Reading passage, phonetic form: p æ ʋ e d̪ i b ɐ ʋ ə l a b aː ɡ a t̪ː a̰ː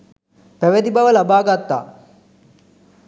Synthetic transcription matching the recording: p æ ʋ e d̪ i b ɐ ʋ ə l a b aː ɡ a t̪ː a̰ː